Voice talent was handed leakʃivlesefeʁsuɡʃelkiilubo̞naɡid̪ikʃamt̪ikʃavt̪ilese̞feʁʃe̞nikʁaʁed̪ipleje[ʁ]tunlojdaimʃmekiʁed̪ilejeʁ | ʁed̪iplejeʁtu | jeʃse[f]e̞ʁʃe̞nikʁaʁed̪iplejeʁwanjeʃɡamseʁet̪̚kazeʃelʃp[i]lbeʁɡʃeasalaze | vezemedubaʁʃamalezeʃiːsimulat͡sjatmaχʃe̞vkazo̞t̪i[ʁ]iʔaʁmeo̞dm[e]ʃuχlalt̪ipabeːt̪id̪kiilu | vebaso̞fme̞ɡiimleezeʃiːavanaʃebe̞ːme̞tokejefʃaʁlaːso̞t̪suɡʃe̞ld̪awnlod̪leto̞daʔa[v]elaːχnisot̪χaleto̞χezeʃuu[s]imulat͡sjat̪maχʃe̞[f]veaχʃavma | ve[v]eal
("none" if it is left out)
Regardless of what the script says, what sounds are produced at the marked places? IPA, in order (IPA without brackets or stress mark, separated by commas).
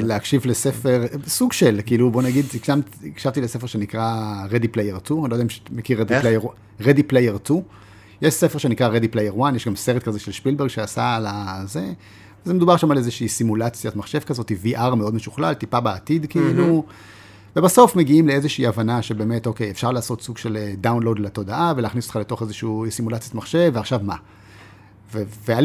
ʁ, f, i, v, e, v, s, v, v